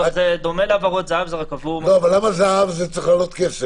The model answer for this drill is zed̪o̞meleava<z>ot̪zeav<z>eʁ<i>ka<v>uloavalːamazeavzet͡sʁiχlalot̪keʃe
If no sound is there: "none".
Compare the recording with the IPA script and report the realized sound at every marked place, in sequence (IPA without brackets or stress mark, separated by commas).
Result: ʁ, z, a, v